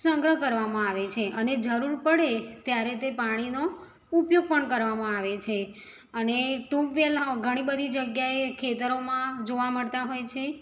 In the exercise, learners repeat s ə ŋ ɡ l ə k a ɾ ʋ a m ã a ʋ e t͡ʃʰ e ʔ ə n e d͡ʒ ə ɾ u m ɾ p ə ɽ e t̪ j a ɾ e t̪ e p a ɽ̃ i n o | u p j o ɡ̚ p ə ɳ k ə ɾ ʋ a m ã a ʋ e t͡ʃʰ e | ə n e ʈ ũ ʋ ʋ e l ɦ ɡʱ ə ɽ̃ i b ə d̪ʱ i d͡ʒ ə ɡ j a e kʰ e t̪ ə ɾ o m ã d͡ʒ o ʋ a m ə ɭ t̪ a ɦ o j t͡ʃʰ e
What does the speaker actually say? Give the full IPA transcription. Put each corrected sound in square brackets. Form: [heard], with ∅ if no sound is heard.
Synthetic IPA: s ə ŋ ɡ [ɾ] ə k [ə] ɾ ʋ a m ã a ʋ e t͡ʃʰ e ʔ ə n e d͡ʒ ə ɾ u [∅] ɾ p ə ɽ e t̪ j a ɾ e t̪ e p a ɽ̃ i n o | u p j o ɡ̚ p ə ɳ k ə ɾ ʋ a m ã a ʋ e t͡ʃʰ e | ə n e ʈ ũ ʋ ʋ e l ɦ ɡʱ ə ɽ̃ i b ə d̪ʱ i d͡ʒ ə ɡ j a e kʰ e t̪ ə ɾ o m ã d͡ʒ o ʋ a m ə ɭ t̪ a ɦ o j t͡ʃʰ e

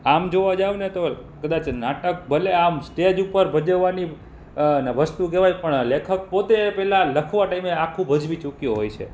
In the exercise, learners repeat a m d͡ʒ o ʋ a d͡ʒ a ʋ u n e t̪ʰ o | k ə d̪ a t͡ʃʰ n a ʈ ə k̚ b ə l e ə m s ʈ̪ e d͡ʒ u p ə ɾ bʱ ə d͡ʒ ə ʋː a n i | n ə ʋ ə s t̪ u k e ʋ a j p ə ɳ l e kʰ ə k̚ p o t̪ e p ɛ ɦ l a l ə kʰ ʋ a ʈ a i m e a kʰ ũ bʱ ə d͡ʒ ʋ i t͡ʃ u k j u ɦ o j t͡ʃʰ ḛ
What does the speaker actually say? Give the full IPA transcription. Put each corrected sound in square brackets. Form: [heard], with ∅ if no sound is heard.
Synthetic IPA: a m d͡ʒ o ʋ a d͡ʒ a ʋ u n e [t̪] o | k ə d̪ a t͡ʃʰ n a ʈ ə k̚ b ə l e [a] m s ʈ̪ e d͡ʒ u p ə ɾ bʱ ə d͡ʒ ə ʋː a n i | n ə ʋ ə s t̪ u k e ʋ a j p ə ɳ l e kʰ ə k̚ p o t̪ e p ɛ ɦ l a l ə kʰ ʋ a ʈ a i m e a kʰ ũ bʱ ə d͡ʒ ʋ i t͡ʃ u k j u ɦ o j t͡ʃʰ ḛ

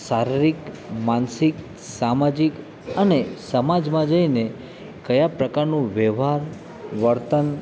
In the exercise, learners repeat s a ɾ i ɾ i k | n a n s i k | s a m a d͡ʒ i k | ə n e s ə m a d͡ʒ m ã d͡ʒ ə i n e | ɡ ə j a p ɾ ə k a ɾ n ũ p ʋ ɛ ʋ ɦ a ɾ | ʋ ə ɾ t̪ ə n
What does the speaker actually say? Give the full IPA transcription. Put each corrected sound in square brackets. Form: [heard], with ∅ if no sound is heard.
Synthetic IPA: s a ɾ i ɾ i k | [m] a n s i k | s a m a d͡ʒ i k | ə n e s ə m a d͡ʒ m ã d͡ʒ ə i n e | [k] ə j a p ɾ ə k a ɾ n ũ [∅] ʋ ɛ ʋ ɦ a ɾ | ʋ ə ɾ t̪ ə n

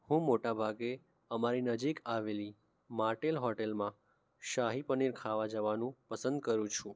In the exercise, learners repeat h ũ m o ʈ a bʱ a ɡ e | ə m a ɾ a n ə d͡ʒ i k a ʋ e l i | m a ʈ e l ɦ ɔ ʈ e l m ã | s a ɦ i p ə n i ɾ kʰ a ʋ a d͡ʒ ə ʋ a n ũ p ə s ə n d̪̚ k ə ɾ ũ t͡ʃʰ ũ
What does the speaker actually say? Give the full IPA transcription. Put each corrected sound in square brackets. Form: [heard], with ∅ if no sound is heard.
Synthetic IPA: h ũ m o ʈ a bʱ a ɡ e | ə m a ɾ [i] n ə d͡ʒ i k a ʋ e l i | m a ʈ e l ɦ ɔ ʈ e l m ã | [ʃ] a ɦ i p ə n i ɾ kʰ a ʋ a d͡ʒ ə ʋ a n ũ p ə s ə n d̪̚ k ə ɾ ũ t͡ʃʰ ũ

